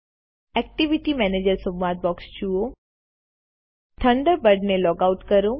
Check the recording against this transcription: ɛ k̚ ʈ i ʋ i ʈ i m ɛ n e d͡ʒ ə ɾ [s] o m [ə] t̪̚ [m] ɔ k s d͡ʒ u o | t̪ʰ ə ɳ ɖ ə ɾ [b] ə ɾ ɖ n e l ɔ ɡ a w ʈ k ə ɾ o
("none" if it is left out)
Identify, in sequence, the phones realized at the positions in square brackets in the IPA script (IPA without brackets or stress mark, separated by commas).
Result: s, a, b, b